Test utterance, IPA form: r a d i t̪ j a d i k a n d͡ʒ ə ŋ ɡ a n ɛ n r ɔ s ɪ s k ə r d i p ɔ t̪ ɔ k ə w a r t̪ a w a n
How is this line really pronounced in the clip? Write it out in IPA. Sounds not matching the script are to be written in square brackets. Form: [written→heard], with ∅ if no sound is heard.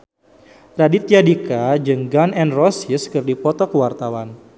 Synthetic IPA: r a d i t̪ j a d i k a [n→∅] d͡ʒ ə ŋ ɡ a n ɛ n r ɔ s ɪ s k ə r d i p ɔ t̪ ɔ k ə w a r t̪ a w a n